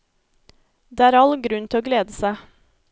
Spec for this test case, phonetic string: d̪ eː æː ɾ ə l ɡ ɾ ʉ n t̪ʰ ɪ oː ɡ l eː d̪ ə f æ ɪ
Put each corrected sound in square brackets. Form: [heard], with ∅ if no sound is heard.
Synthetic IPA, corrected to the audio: d̪ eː æː ɾ [ɑ] l ɡ ɾ ʉ n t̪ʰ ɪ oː ɡ l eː d̪ ə [s] æ ɪ

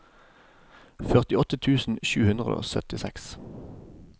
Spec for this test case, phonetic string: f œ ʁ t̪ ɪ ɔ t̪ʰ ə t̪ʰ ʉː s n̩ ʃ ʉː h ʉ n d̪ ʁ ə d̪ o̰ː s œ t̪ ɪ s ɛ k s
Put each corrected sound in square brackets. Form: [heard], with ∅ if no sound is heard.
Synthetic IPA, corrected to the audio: f œ ʁ t̪ ɪ ɔ [t̪] ə t̪ʰ ʉː s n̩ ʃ ʉː h ʉ n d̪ ʁ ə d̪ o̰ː s œ t̪ ɪ s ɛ k s

